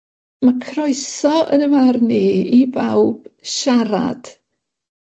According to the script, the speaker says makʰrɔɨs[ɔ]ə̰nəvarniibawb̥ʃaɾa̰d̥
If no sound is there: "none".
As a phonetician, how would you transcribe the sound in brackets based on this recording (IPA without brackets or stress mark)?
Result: ɔ